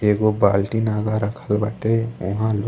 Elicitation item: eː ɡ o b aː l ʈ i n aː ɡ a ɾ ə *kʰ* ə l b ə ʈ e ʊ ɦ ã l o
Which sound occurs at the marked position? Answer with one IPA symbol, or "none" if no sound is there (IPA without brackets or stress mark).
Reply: kʰ